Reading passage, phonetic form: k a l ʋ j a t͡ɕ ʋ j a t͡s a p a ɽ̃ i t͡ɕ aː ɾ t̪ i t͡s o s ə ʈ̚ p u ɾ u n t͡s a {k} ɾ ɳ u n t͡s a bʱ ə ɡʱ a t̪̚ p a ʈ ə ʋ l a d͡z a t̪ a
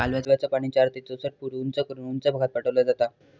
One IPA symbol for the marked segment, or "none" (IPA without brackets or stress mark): k